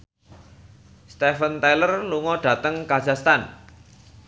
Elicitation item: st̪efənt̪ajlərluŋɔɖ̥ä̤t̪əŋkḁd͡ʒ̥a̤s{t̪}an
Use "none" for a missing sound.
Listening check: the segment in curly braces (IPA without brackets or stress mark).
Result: t̪